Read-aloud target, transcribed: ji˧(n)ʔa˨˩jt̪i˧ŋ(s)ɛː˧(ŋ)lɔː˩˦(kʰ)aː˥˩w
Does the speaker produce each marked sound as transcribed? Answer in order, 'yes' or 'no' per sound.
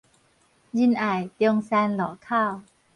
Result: yes, yes, no, yes

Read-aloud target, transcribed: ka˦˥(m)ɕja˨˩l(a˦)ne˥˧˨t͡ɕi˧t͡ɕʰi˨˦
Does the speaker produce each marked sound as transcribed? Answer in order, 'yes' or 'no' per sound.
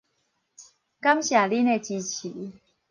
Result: yes, no

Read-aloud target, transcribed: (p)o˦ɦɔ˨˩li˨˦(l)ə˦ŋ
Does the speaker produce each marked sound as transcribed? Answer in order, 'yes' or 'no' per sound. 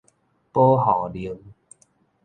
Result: yes, no

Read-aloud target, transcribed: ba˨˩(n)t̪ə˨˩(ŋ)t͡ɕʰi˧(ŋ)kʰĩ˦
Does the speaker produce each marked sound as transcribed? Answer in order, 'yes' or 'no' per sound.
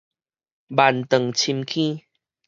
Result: yes, yes, no

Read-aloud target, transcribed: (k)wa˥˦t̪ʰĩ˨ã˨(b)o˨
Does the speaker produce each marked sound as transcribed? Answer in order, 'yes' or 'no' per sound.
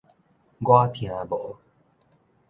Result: no, yes

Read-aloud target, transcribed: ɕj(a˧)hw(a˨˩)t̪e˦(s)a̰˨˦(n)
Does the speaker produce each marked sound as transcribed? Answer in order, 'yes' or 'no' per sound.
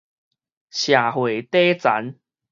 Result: no, no, no, yes

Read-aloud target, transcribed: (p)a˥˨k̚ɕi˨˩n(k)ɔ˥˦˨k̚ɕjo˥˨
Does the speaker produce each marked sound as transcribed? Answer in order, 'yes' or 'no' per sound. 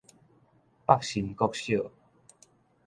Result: yes, yes

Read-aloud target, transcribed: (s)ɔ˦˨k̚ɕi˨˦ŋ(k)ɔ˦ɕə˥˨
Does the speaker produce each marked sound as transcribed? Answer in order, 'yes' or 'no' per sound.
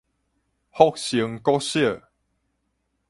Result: no, yes

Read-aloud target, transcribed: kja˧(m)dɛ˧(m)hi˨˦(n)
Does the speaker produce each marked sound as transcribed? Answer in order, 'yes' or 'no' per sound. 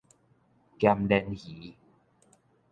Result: yes, no, no

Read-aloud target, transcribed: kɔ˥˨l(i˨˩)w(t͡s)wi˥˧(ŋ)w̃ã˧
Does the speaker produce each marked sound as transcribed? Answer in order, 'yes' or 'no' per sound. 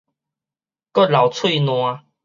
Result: no, no, no

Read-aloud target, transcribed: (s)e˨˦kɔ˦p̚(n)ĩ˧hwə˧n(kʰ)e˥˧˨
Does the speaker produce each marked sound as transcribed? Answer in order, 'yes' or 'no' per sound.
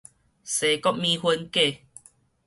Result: yes, no, no

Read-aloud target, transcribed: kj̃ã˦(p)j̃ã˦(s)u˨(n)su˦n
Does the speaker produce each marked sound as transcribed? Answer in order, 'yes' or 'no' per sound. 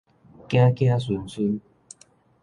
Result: no, yes, yes

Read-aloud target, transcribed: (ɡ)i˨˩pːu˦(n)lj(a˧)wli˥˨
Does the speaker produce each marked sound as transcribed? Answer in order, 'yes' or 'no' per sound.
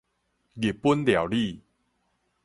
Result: yes, yes, no

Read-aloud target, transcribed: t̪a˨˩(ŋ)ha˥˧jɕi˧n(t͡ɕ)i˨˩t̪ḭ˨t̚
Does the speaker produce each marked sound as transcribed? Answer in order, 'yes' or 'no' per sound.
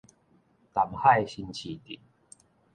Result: no, no

